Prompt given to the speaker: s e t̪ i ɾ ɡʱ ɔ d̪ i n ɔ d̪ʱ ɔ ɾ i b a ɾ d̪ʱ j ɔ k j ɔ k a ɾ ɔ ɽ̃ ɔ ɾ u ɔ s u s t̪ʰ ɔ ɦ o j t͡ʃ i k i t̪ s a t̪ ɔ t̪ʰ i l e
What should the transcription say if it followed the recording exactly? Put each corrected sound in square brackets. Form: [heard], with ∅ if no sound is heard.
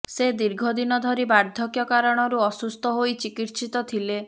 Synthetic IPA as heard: s e [d̪] i ɾ ɡʱ ɔ d̪ i n ɔ d̪ʱ ɔ ɾ i b a ɾ d̪ʱ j ɔ k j ɔ k a ɾ ɔ ɽ̃ ɔ ɾ u ɔ s u s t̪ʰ ɔ ɦ o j t͡ʃ i k i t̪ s [i] t̪ ɔ t̪ʰ i l e